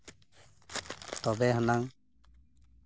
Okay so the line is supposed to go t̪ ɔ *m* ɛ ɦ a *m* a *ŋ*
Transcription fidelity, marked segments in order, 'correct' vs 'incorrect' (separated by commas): incorrect, incorrect, correct